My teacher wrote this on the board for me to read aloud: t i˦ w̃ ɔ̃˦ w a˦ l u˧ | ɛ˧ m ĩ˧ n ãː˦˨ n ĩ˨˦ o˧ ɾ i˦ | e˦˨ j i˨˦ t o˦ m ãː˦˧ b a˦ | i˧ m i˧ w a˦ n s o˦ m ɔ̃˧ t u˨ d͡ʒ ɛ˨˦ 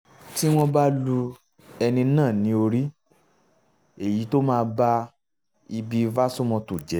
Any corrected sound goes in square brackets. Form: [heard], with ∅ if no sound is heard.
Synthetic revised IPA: t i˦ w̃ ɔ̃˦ [b] a˦ l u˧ | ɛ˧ [n] ĩ˧ n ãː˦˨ n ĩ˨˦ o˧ ɾ i˦ | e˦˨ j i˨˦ t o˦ m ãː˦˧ b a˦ | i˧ [b] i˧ [v] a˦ [∅] s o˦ m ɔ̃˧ t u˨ d͡ʒ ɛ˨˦